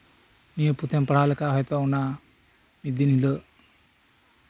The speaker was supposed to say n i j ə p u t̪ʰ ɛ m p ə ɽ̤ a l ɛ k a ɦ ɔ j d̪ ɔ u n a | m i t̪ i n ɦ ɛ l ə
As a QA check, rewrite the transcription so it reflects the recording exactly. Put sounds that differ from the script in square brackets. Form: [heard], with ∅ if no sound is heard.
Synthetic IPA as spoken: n i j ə p u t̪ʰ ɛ m p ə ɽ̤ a l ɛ k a ɦ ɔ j [t̪] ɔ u n a | m i [d̪] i n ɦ [i] l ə